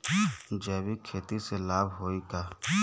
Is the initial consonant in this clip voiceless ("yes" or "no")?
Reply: no